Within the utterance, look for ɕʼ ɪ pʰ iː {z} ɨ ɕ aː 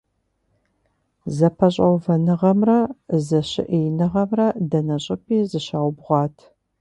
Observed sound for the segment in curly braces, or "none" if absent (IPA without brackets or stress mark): z